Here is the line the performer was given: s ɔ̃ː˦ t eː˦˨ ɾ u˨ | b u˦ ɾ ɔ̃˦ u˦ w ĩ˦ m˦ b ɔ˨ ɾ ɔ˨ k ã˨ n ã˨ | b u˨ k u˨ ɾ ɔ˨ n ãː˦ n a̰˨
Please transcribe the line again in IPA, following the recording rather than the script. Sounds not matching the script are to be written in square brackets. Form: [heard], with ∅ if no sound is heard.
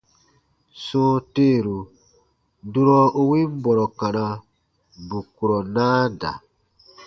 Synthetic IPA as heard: s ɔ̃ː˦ t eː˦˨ ɾ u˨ | [d] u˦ ɾ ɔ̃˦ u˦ w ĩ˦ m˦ b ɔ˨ ɾ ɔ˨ k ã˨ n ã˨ | b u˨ k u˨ ɾ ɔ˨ n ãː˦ [d] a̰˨